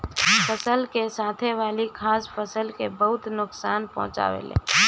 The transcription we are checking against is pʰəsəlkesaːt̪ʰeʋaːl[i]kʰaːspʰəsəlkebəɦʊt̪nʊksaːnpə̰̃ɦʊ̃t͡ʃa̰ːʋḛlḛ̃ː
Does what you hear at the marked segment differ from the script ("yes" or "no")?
no